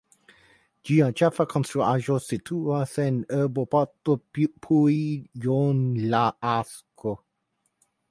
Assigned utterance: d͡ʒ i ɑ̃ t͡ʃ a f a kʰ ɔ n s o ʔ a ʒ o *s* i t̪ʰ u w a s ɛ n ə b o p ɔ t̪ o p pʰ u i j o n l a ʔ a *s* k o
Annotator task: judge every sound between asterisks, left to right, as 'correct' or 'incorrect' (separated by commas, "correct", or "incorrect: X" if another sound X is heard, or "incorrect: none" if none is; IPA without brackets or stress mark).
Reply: correct, correct